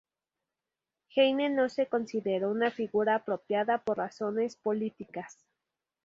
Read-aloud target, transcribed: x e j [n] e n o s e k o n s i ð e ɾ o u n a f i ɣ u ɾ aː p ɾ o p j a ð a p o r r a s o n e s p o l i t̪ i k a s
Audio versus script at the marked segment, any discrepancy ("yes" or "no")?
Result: no